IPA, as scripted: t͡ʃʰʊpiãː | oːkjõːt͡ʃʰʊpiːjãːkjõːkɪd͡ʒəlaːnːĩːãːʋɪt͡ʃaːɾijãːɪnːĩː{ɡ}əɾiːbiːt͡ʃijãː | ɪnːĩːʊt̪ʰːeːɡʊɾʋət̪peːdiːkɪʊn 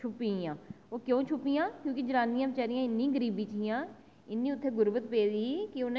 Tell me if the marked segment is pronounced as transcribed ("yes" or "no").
yes